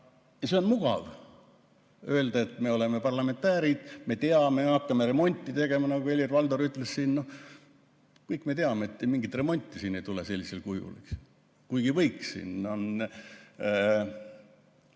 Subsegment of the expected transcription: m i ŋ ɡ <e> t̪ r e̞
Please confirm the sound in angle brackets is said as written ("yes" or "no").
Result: no